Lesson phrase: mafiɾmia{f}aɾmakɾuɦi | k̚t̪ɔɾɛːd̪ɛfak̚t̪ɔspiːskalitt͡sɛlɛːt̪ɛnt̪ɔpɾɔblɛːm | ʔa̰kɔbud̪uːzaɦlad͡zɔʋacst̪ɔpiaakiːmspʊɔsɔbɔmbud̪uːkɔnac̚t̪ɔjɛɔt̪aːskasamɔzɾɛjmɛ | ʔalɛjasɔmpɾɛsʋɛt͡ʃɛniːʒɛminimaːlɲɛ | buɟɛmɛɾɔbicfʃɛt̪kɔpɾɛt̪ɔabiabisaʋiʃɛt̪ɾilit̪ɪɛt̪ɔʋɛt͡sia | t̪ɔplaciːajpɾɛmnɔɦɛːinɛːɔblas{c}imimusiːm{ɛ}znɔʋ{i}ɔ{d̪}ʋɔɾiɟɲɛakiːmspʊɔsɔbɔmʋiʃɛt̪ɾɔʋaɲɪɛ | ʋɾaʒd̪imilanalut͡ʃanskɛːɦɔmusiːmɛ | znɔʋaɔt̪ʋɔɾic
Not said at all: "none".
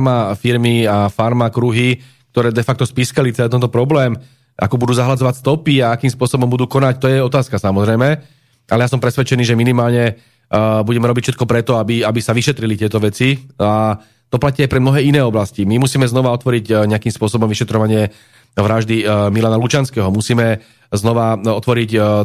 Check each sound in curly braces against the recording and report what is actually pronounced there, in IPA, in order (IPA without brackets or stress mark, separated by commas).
f, c, ɛ, a, t̪